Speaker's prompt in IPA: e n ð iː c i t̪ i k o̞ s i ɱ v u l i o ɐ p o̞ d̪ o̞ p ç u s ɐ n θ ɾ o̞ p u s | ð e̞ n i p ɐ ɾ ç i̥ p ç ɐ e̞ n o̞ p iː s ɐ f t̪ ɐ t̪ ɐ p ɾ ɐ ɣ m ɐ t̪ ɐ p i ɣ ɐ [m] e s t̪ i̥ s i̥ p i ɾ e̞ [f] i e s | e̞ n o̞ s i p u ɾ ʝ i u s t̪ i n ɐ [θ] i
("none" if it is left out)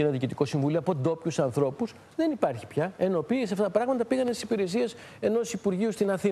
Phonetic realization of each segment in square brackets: n, s, θ

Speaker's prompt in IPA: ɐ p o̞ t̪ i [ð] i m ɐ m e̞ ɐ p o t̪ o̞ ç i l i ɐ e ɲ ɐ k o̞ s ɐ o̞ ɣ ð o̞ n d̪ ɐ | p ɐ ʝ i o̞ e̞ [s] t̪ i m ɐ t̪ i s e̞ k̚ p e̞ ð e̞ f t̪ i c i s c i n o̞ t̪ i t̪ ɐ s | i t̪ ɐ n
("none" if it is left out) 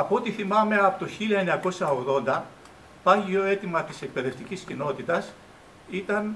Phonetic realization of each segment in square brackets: θ, none

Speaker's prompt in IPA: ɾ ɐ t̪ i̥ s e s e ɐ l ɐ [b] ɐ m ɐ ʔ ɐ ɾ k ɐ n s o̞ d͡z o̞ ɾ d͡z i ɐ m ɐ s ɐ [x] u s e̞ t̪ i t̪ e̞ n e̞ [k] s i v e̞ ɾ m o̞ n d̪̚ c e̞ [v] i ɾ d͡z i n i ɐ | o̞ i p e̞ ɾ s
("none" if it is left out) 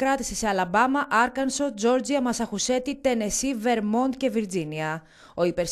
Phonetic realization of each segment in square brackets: b, x, none, v

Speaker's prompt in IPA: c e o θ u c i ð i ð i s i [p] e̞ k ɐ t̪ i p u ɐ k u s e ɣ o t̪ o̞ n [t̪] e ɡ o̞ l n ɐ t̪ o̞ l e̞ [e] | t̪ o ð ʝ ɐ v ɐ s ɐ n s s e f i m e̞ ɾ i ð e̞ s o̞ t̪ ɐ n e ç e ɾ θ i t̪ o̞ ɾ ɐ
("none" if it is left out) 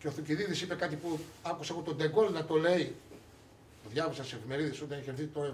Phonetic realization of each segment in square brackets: p, d̪, i

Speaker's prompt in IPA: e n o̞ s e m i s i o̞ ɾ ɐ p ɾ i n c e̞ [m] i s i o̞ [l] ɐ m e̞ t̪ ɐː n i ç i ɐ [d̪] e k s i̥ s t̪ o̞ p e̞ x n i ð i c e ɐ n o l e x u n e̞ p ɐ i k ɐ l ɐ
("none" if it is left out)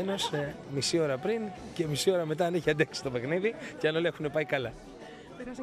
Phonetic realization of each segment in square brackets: m, ɾ, d̪

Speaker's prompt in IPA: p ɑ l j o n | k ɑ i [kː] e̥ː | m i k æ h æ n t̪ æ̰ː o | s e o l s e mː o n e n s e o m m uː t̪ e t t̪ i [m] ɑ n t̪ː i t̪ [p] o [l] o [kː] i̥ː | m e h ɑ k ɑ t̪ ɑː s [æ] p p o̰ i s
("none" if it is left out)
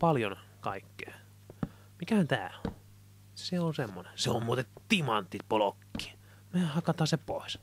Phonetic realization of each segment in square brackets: kː, m, p, l, kː, e

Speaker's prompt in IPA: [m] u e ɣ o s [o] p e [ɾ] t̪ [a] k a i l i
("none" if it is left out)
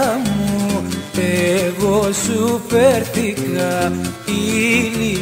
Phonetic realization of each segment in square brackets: m, u, ɾ, i

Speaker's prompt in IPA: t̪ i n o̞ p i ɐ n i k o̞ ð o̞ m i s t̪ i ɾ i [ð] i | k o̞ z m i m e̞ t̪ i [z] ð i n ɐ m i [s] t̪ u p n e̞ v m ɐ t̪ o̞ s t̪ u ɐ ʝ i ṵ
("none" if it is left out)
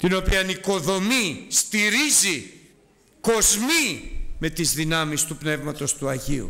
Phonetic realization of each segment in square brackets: z, z, s

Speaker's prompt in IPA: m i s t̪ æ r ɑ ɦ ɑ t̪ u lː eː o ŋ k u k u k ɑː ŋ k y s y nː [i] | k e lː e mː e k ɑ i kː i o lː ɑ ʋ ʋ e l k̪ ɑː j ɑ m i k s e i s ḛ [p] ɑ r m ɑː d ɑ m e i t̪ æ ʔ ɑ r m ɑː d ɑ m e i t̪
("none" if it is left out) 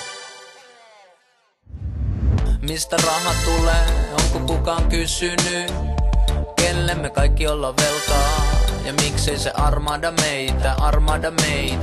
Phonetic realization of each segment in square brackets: y, ʔ

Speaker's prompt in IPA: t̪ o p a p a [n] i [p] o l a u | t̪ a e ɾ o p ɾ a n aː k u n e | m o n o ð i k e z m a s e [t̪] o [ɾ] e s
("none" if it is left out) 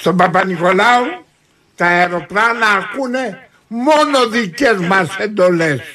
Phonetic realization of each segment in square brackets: n, k, d̪, l

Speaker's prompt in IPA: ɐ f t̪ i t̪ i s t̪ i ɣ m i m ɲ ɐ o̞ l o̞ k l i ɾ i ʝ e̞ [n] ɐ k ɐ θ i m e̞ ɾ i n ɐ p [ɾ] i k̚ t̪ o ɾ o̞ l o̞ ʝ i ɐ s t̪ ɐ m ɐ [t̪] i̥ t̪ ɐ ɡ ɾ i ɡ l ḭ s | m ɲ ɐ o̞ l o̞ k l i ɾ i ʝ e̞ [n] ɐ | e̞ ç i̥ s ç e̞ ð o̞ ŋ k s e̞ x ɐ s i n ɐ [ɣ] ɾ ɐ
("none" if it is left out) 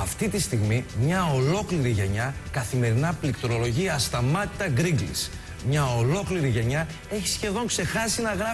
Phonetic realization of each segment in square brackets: ɲ, l, t̪, ɲ, ɣ

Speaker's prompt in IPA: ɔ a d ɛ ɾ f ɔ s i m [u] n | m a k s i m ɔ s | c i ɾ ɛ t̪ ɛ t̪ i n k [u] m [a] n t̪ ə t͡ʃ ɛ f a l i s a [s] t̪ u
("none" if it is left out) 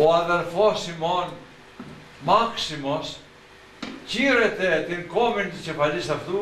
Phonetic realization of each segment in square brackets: ɔ, ɔ, i, f

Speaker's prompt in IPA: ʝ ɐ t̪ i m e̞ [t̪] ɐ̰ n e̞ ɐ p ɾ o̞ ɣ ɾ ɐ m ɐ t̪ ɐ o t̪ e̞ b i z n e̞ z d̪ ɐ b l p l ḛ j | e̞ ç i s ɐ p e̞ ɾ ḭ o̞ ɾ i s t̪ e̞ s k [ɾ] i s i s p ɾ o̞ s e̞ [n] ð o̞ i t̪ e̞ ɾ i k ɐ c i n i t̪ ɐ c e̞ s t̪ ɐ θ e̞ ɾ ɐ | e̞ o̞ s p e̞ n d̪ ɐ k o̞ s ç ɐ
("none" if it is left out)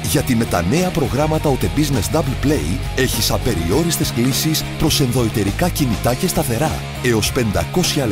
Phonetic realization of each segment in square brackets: t̪, l, n

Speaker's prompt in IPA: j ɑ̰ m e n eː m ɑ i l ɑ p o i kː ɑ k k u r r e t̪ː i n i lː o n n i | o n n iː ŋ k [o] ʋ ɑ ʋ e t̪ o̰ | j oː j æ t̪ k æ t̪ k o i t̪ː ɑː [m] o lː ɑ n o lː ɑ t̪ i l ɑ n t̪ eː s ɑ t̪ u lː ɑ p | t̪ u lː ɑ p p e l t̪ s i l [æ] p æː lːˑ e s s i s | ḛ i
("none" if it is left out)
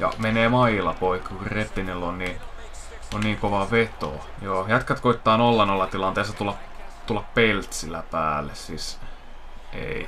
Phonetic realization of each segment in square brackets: o, n, æ

